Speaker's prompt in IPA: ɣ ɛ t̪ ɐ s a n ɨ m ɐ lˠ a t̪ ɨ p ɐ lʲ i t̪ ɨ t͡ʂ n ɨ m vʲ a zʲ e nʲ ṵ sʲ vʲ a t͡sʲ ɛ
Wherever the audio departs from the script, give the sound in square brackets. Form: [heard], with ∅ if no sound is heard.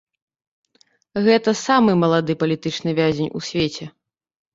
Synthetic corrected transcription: ɣ ɛ t̪ ɐ s a [m] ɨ m ɐ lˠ a [d̪] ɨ p ɐ lʲ i t̪ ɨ t͡ʂ n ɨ [∅] vʲ a zʲ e nʲ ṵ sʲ vʲ [e] t͡sʲ ɛ